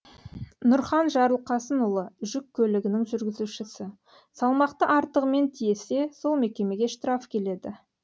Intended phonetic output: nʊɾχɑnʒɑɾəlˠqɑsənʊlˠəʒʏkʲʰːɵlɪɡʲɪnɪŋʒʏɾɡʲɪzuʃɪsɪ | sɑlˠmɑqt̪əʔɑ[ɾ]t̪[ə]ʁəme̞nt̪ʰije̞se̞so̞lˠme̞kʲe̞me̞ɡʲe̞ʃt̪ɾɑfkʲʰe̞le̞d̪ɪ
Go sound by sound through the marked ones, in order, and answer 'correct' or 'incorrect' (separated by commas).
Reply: correct, correct